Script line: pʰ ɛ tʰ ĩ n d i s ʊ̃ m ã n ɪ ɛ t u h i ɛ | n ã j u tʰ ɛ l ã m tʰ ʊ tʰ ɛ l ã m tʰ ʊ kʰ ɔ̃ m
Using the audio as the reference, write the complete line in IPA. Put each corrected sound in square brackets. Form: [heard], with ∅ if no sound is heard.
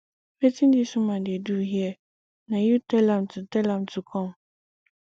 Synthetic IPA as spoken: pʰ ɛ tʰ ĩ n d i s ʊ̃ m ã [d] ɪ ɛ [d] u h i ɛ | n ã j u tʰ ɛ l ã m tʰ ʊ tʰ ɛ l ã m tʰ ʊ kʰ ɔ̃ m